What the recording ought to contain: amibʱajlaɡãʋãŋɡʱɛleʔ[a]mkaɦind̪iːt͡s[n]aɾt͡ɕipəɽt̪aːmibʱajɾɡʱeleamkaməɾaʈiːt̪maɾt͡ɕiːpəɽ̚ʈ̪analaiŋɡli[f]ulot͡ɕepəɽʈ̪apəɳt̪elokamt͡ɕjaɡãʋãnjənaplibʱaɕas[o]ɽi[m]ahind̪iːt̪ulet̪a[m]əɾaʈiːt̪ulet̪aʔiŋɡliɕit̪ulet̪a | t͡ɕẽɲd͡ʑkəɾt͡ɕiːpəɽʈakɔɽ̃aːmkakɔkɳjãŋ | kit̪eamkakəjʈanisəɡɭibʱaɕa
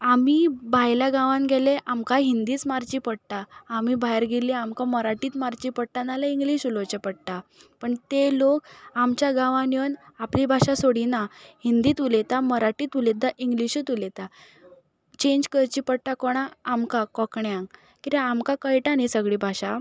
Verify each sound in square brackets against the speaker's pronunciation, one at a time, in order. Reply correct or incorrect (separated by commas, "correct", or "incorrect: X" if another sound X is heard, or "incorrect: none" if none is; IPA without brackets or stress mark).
correct, incorrect: m, incorrect: ɕ, correct, incorrect: n, correct